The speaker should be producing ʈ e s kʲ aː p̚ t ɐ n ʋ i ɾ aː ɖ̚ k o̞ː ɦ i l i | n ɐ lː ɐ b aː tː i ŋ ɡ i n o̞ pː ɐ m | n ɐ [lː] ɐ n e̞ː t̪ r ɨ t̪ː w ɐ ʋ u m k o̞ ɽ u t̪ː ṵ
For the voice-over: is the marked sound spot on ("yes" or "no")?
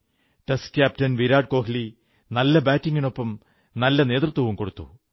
yes